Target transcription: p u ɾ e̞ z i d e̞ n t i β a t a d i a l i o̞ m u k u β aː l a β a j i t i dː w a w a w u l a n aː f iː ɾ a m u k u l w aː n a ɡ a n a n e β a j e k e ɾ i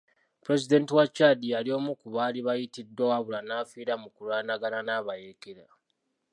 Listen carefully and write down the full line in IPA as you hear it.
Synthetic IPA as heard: p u ɾ e̞ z i d e̞ n t i w a t͡ʃ a d i a l i o̞ m u k u β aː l i β a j i t i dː w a w a β u l a n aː f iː ɾ a m u k u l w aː n a ɡ a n a n a β a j e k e ɾ a